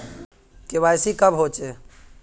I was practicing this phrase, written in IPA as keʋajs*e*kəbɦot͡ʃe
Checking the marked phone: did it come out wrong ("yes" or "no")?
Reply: yes